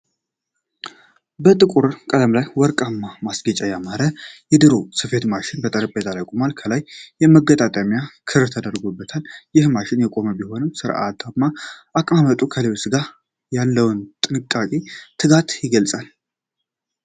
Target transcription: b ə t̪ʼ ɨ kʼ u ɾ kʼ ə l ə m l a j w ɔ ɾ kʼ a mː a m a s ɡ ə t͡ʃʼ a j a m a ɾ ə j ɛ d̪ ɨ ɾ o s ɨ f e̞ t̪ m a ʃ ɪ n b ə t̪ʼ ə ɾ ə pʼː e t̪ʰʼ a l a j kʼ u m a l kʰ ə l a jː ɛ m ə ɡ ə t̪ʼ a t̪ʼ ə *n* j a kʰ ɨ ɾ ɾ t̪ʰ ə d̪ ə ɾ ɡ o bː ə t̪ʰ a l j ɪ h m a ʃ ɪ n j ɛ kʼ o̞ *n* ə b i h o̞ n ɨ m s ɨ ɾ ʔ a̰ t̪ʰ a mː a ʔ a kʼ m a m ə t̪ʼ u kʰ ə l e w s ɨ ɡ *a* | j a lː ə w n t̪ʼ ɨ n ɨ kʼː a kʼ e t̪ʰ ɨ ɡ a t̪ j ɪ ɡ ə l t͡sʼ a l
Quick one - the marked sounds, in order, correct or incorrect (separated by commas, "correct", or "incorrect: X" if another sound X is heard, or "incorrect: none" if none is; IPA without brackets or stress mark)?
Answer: incorrect: m, incorrect: m, correct